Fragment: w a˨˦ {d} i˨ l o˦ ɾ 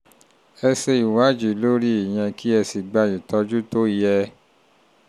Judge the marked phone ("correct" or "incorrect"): incorrect